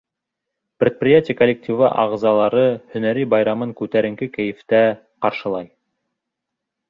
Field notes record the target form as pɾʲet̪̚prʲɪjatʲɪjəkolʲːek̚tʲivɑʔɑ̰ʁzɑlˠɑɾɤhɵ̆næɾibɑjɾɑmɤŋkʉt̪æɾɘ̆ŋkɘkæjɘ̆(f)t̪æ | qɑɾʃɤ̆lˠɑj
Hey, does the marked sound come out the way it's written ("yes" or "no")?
yes